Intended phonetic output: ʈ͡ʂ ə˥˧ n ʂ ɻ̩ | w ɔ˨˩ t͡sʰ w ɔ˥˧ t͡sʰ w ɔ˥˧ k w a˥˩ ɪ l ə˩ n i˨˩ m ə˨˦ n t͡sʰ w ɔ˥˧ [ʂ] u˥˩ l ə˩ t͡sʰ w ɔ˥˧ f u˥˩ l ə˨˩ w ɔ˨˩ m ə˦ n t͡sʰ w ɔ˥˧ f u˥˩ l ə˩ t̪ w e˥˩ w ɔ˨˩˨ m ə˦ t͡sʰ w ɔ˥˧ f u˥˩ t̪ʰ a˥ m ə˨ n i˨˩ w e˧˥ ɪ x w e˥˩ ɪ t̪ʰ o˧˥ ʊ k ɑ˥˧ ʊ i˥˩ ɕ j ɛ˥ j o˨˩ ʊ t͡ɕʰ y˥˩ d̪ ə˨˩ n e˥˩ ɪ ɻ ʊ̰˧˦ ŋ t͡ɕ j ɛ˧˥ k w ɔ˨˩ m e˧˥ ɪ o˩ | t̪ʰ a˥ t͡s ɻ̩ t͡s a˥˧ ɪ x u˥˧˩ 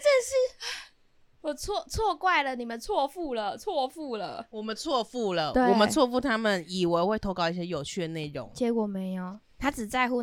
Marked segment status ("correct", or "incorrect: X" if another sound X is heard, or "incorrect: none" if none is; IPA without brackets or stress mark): incorrect: f